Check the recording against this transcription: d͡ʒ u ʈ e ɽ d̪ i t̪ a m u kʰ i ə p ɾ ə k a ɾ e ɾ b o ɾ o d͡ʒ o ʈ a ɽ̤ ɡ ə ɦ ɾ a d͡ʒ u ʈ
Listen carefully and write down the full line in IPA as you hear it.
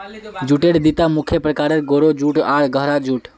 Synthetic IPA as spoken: d͡ʒ u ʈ e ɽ d̪ i t̪ a m u kʰ j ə p ɾ ə k a ɾ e ɾ ɡ o ɾ o d͡ʒ u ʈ a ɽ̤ ɡ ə ɦ ɾ a d͡ʒ u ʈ